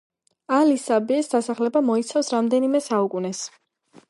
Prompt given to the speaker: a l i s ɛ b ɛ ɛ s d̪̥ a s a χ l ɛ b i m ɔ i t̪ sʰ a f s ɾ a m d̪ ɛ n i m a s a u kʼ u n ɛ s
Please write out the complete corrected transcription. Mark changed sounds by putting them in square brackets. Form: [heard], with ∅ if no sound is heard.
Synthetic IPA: a l i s [a] b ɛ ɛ s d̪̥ a s a χ l ɛ b [a] m ɔ i t̪ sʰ a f s ɾ a m d̪ ɛ n i m [ɛ] s a u kʼ u n ɛ s